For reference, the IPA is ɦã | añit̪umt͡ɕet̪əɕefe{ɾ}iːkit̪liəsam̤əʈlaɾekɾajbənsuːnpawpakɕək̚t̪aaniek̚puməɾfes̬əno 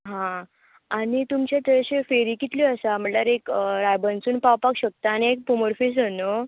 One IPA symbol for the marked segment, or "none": ɾ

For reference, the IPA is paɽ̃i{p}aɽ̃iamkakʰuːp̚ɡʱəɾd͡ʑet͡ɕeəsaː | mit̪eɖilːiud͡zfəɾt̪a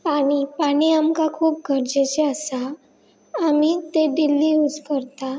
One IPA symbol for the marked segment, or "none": p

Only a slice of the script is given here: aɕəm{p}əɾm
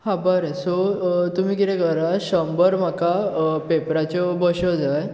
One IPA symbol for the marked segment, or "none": b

